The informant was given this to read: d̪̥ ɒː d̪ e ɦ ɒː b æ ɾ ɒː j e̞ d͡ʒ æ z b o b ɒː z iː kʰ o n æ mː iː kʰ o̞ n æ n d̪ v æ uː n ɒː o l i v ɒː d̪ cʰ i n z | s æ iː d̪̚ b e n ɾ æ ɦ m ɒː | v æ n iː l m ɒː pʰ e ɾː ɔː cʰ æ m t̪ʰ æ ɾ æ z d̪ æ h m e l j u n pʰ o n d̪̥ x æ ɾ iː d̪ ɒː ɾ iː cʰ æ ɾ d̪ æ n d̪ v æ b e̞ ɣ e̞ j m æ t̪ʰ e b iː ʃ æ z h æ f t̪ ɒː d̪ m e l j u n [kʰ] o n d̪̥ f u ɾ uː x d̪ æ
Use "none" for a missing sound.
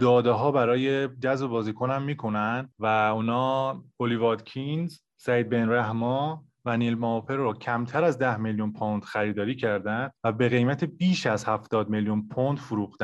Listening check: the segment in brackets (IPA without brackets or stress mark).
pʰ